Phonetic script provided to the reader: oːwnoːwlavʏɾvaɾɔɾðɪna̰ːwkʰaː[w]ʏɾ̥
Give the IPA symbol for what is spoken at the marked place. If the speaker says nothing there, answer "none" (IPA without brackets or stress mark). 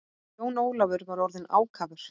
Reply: v